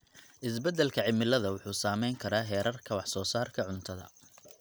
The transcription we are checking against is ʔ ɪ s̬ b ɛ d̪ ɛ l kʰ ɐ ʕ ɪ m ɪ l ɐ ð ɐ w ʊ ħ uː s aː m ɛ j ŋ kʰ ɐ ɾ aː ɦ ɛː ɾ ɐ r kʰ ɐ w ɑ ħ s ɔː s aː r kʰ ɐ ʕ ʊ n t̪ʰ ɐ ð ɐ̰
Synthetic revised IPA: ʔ ɪ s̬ b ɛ d̪ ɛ l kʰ ɐ ʕ ɪ m ɪ l ɐ ð ɐ w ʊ ħ uː s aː m ɛ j ŋ kʰ ɐ ɾ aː ɦ ɛː ɾ ɐ r kʰ ɐ w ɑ ħ s ɔː s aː r kʰ ɐ ʕ ʊ n t̪ʰ ɐ ð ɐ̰

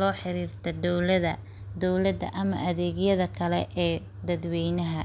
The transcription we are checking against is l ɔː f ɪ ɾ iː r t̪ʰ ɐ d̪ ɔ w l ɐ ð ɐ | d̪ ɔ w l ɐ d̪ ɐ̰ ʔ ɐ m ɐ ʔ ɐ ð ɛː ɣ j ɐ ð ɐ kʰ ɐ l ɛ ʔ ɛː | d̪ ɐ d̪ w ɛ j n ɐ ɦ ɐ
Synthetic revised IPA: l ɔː ħ ɪ ɾ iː r t̪ʰ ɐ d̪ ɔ w l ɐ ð ɐ | d̪ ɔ w l ɐ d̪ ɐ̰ ʔ ɐ m ɐ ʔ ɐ ð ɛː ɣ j ɐ ð ɐ kʰ ɐ l ɛ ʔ ɛː | d̪ ɐ d̪ w ɛ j n ɐ ɦ ɐ

